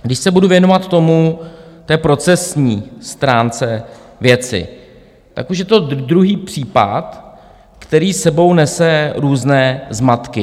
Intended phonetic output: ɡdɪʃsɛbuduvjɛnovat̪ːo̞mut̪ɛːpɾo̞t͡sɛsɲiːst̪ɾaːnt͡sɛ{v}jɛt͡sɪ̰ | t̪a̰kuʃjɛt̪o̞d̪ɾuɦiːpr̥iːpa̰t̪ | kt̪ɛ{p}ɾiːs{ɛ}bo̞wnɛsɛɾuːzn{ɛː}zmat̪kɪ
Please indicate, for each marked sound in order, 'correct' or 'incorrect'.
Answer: correct, incorrect: none, correct, correct

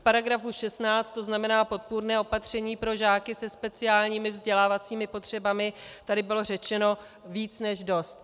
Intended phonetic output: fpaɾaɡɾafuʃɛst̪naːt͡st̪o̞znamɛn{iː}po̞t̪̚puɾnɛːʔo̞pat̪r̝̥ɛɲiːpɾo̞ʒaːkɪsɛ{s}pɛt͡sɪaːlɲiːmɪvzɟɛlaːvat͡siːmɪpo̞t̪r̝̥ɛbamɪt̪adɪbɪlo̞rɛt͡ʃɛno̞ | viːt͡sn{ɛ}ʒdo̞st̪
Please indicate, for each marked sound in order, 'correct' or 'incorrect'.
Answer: incorrect: aː, correct, correct

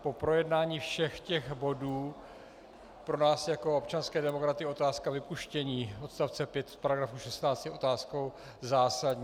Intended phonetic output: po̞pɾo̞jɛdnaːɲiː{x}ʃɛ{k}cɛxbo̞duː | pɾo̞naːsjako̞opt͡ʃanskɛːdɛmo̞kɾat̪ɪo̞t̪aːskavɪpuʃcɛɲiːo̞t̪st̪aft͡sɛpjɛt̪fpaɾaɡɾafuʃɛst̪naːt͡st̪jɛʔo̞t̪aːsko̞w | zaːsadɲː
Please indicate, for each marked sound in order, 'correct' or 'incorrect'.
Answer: incorrect: f, incorrect: x

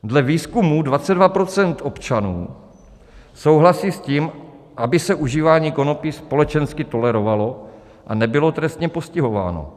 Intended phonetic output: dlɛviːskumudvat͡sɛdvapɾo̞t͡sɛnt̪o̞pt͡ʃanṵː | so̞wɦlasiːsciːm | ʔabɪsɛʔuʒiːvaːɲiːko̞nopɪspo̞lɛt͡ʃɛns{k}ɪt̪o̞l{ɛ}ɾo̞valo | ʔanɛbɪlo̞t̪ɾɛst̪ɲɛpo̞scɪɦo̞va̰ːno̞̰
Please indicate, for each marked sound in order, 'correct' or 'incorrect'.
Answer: correct, correct

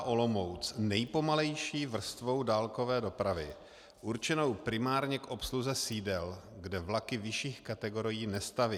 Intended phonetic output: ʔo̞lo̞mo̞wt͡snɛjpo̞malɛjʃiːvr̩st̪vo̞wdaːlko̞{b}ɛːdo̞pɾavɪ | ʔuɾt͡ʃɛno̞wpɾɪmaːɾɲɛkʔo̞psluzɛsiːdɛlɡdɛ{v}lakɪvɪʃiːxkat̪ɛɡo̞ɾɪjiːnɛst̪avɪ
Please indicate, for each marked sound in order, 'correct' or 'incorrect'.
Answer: incorrect: v, correct

